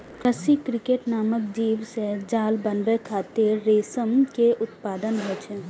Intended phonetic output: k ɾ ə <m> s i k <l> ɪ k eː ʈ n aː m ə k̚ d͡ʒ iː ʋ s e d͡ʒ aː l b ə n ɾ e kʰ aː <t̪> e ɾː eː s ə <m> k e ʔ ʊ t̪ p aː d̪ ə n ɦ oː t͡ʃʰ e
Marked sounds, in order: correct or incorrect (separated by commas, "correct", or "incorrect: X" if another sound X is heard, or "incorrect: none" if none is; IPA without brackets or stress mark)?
incorrect: none, incorrect: ɾ, correct, correct